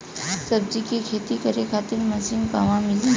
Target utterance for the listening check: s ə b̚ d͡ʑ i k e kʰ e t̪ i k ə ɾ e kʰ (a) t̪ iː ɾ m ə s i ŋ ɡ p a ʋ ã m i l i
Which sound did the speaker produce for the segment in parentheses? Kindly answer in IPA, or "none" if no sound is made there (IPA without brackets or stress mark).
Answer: a